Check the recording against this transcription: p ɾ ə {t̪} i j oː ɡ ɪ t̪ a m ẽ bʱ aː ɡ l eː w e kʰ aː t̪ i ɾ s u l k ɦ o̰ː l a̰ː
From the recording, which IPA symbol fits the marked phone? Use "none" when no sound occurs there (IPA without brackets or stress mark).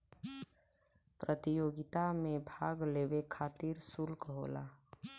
t̪